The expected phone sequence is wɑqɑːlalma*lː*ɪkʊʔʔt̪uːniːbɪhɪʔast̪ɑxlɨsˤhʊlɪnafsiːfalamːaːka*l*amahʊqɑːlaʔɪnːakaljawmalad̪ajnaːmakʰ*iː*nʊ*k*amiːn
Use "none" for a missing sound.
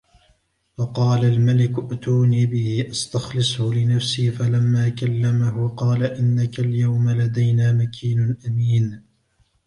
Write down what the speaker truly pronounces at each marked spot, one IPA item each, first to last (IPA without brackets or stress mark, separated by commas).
l, lː, iː, ʔ